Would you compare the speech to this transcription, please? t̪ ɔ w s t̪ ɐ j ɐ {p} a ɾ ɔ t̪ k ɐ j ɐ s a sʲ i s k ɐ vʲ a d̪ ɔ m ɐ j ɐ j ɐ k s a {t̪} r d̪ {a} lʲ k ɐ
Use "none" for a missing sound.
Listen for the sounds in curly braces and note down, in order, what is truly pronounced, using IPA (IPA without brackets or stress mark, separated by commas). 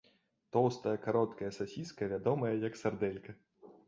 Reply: k, none, ɛ